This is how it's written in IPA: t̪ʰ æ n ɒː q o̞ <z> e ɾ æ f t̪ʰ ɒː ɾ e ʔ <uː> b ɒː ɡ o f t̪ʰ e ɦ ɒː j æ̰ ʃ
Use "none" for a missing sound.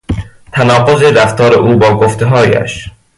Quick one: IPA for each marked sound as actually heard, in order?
z, uː

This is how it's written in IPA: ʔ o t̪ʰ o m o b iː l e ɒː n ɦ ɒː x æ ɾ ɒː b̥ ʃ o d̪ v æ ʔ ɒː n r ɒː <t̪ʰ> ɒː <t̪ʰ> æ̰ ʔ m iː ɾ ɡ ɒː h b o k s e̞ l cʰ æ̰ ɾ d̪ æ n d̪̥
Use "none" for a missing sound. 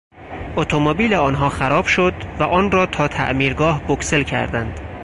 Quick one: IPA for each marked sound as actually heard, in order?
t̪ʰ, t̪ʰ

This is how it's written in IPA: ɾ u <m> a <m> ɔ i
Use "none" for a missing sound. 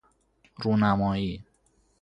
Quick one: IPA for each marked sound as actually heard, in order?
n, m

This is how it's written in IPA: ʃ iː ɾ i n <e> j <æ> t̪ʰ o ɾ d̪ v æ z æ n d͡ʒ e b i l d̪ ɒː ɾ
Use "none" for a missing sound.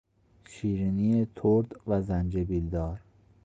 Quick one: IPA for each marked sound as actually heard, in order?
i, e

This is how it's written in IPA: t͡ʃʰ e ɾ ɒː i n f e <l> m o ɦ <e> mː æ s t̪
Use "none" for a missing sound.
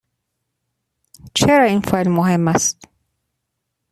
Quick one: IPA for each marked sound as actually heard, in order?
l, e

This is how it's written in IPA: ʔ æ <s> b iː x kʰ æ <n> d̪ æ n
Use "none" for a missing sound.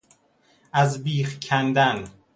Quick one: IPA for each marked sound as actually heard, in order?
z, n

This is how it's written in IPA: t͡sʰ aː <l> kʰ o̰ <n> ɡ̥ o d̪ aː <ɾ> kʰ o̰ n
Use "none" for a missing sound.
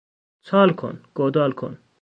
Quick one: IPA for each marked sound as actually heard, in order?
l, n, l

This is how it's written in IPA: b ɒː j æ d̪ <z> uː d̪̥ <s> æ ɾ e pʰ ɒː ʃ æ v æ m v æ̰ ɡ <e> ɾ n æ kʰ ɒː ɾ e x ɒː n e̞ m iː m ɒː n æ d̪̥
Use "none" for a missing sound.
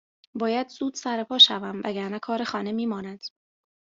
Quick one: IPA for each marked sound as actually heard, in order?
z, s, æ

